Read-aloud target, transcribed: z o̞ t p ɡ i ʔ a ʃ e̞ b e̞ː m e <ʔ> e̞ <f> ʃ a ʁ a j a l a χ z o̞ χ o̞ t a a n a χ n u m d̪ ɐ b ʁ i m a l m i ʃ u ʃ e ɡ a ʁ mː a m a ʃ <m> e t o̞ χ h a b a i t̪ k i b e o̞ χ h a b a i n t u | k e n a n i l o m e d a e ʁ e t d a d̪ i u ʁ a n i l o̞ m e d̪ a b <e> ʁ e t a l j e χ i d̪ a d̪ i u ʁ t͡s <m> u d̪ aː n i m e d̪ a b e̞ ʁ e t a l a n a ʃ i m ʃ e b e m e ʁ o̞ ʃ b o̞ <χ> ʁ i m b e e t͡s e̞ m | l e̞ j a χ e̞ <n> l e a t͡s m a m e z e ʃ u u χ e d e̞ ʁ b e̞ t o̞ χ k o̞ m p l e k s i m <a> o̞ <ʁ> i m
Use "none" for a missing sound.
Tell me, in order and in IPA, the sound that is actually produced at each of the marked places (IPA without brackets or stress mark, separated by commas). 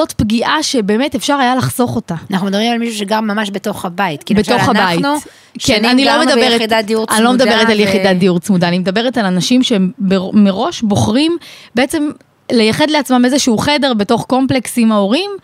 t, f, b, e, m, χ, d, a, ʁ